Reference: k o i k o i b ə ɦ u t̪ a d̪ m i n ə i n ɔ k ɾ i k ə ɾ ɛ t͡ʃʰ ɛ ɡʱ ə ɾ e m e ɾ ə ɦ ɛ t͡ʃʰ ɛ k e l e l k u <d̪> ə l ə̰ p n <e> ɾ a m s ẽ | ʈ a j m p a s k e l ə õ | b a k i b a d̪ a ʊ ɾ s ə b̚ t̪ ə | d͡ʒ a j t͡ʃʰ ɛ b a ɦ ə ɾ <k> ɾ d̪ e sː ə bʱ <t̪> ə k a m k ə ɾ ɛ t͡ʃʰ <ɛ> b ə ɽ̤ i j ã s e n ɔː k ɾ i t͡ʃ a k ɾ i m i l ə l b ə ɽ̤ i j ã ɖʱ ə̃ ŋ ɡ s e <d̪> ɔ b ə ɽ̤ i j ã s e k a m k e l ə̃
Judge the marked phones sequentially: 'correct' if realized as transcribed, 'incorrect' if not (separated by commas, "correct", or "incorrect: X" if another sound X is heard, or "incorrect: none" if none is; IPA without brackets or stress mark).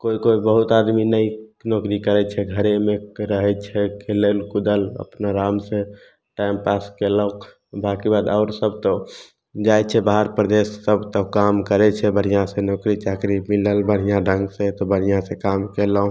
correct, incorrect: a, incorrect: p, correct, correct, incorrect: t̪